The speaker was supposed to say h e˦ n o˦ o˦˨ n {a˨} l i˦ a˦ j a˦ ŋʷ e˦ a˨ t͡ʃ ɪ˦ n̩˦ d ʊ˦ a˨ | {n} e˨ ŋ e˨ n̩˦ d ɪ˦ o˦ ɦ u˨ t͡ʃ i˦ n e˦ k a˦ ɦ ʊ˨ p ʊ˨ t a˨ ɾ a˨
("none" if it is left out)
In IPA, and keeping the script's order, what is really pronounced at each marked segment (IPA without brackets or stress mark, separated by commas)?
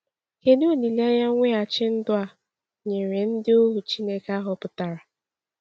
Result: i˨, ɲ